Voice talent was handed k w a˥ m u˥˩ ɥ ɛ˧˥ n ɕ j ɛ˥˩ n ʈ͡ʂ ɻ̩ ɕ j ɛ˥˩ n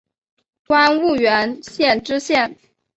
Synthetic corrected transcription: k w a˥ n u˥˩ ɥ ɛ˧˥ n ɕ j ɛ˥˩ n ʈ͡ʂ ɻ̩ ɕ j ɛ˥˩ n